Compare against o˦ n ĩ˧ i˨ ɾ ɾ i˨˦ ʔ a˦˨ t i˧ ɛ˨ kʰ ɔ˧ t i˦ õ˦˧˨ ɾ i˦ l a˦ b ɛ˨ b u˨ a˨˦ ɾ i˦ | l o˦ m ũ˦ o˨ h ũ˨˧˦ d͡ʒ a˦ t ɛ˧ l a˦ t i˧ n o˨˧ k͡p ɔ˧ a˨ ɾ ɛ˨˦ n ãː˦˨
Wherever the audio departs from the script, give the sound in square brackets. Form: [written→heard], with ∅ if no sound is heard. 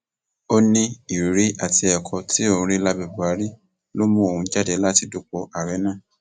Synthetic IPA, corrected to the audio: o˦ n ĩ˧ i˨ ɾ ɾ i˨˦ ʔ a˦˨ t i˧ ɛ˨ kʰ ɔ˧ t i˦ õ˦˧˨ ɾ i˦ l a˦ b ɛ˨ b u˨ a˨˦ ɾ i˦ | l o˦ m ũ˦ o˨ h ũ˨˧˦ d͡ʒ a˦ [t→d] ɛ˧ l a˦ t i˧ [n→d] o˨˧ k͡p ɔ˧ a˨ ɾ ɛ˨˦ n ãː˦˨